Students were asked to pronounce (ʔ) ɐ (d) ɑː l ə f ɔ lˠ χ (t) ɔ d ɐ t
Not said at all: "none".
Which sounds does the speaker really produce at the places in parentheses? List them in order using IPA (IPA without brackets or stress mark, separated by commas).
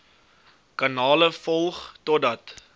k, n, t